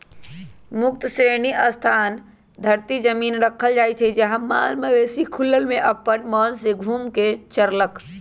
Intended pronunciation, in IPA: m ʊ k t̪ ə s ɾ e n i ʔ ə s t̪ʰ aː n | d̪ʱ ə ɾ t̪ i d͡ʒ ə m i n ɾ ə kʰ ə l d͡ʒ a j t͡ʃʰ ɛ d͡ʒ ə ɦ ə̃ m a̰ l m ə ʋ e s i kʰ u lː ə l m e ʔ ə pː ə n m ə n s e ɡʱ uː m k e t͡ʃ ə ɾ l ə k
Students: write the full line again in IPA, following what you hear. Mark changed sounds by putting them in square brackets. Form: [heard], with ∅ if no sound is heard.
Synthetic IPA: m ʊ k t̪ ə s ɾ e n i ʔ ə s t̪ʰ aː n | d̪ʱ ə ɾ t̪ i d͡ʒ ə m i n ɾ ə kʰ ə l d͡ʒ a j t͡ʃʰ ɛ d͡ʒ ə ɦ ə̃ m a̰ l m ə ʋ e s i kʰ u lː ə l m e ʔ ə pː ə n m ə n s e ɡʱ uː m k e t͡ʃ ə ɾ l ə k